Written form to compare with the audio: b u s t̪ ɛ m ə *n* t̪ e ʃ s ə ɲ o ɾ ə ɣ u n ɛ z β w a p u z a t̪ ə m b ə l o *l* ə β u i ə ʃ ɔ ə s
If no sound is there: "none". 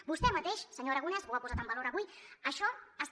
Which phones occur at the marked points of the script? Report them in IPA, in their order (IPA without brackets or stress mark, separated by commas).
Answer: none, ɾ